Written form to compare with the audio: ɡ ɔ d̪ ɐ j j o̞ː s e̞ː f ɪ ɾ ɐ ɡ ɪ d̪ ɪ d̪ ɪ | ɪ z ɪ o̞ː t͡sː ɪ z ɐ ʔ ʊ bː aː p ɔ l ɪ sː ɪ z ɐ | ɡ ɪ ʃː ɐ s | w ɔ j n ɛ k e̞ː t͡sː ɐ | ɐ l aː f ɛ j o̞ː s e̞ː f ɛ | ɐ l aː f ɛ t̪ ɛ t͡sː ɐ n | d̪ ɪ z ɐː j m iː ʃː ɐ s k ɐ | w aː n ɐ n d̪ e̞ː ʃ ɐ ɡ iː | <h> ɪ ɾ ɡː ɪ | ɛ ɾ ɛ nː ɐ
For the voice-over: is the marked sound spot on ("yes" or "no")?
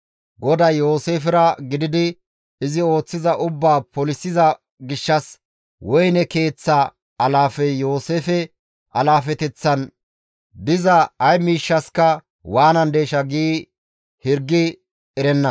yes